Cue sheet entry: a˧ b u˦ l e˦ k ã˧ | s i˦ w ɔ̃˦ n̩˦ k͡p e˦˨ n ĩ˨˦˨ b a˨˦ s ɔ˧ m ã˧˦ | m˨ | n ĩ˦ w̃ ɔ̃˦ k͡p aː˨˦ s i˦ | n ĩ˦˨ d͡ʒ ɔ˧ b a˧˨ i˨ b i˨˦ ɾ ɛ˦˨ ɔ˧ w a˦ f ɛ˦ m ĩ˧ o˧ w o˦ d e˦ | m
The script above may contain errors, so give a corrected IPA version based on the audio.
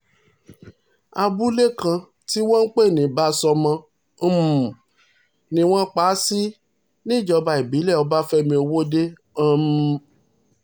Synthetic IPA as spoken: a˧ b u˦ l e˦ k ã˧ | t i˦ w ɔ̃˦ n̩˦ k͡p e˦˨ n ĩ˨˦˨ b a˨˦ s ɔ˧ m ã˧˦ | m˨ | n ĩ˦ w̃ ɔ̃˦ k͡p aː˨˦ s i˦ | n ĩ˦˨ d͡ʒ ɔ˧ b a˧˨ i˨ b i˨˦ l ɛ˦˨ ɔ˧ b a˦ f ɛ˦ m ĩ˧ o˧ w o˦ d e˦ | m